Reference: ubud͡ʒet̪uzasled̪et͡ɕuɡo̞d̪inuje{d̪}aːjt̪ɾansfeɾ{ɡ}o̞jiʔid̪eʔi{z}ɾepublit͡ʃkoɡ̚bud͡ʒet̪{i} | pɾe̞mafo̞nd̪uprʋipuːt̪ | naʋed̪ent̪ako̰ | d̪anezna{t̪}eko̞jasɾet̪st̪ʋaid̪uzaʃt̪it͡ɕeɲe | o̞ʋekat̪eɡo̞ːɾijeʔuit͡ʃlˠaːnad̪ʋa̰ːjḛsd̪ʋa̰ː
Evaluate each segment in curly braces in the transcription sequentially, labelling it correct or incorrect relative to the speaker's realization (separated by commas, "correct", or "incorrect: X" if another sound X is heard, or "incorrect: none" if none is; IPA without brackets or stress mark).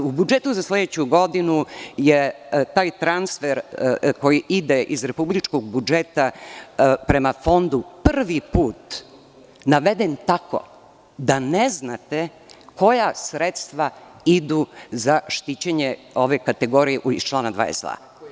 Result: incorrect: t̪, incorrect: k, correct, incorrect: a, correct